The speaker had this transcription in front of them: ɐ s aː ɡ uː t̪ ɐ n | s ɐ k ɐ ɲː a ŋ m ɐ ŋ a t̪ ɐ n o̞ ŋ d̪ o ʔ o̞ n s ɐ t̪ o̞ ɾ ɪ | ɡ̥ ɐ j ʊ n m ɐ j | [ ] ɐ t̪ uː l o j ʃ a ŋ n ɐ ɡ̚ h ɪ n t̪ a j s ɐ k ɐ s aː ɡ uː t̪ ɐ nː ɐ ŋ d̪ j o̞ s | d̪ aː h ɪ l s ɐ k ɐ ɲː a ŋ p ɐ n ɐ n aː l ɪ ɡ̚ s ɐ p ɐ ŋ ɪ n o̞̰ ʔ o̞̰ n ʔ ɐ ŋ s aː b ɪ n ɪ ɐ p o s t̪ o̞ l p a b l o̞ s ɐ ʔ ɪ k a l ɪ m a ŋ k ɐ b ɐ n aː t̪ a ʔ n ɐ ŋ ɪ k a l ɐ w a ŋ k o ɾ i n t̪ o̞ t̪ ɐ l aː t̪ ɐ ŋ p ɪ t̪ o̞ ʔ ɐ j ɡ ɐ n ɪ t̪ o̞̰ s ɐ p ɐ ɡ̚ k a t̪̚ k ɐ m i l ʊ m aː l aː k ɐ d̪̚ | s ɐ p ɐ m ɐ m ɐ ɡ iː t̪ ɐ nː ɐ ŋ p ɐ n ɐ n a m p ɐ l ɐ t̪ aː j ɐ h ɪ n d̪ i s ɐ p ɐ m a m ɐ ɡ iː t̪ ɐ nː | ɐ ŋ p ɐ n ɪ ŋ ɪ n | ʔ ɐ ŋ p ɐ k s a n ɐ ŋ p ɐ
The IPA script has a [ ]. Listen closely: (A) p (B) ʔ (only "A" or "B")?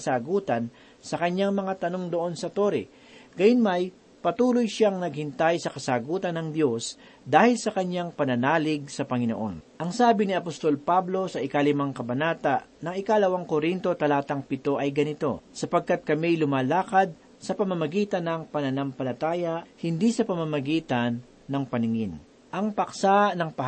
A